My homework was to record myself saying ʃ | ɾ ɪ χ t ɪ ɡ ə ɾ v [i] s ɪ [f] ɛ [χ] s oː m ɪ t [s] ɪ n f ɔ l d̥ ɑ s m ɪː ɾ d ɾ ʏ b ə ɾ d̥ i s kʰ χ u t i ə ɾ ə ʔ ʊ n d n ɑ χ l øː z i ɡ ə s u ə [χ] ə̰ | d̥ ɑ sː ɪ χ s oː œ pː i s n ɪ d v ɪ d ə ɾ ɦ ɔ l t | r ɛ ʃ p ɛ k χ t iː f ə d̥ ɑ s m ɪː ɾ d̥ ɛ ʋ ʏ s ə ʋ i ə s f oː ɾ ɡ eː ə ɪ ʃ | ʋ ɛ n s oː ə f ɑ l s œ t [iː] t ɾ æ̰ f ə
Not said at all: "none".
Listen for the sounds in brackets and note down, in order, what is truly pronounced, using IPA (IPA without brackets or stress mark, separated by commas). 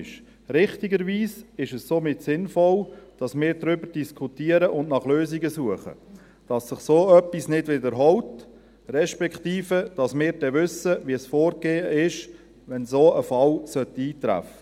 iː, ʃ, s, s, χ, iː